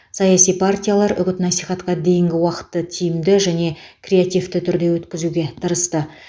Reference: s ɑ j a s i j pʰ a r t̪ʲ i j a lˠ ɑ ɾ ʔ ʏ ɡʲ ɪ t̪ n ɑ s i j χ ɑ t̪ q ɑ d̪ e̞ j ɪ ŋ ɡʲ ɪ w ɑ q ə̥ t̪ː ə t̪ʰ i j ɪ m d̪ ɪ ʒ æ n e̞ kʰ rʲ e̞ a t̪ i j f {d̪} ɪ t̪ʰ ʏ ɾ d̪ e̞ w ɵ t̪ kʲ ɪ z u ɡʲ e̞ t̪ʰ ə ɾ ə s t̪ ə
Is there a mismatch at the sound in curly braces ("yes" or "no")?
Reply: yes